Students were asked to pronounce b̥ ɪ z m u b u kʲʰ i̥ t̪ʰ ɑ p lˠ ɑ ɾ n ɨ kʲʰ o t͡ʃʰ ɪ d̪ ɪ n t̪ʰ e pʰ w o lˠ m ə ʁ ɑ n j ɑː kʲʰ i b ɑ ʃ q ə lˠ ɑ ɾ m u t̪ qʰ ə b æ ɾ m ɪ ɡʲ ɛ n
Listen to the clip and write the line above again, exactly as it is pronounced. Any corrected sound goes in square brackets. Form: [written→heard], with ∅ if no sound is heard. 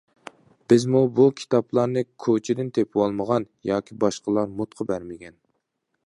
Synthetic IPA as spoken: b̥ ɪ z m u b u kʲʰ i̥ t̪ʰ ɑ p lˠ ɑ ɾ n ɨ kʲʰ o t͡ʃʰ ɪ d̪ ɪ n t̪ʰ e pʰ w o lˠ m ə ʁ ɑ n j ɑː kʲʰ i b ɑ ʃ q ə lˠ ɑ ɾ m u t̪ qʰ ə b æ ɾ m ɪ ɡʲ ɛ n